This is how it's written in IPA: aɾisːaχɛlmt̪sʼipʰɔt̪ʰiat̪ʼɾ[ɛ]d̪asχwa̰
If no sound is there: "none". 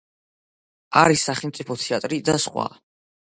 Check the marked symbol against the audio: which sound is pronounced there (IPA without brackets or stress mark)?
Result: i